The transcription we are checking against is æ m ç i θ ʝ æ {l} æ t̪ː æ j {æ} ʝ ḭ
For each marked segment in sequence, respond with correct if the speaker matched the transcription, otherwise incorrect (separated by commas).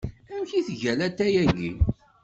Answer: correct, correct